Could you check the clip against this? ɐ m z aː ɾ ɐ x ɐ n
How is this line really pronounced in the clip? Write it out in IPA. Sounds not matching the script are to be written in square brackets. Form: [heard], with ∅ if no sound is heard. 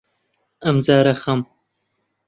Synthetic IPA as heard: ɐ m z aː ɾ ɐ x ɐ [m]